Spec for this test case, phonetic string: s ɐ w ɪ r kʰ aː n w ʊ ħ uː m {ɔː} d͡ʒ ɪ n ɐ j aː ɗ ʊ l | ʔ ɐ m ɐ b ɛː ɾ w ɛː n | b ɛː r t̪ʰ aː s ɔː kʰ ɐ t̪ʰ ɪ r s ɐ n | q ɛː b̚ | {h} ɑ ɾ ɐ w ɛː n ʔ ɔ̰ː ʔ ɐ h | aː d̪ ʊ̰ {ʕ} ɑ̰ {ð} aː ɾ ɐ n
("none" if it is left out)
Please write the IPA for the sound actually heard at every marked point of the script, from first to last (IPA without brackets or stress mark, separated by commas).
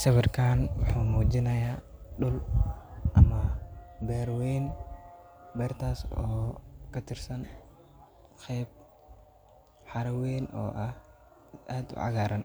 uː, ħ, ʕ, ɣ